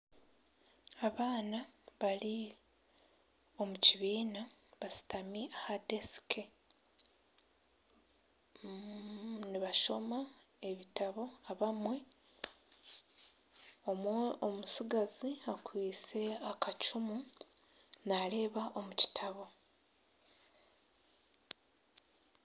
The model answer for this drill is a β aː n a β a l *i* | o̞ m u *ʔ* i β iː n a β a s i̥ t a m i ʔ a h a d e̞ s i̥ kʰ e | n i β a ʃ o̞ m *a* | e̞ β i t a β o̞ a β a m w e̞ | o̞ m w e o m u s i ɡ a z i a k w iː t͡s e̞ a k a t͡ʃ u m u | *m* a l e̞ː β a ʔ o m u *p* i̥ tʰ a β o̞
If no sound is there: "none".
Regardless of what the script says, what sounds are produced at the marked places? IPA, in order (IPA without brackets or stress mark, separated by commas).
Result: i, c, a, n, c